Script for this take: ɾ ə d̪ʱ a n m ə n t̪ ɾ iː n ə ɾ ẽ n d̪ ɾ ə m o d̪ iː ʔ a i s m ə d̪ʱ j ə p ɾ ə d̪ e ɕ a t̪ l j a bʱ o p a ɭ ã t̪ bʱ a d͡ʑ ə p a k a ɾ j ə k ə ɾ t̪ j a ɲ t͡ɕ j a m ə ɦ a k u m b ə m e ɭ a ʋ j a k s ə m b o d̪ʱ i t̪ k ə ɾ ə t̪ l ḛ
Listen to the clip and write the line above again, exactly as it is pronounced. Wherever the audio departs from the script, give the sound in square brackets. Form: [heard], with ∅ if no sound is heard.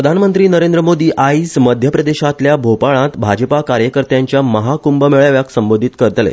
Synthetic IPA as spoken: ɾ ə d̪ʱ a n m ə n t̪ ɾ iː n ə ɾ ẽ n d̪ ɾ ə m o d̪ iː ʔ a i s m ə d̪ʱ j ə p ɾ ə d̪ e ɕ a t̪ l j a bʱ o p a ɭ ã t̪ bʱ a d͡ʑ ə p a k a ɾ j ə k ə ɾ t̪ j a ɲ t͡ɕ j a m ə ɦ a k u m b ə m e ɭ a ʋ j a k s ə m b o d̪ʱ i t̪ k ə ɾ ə t̪ l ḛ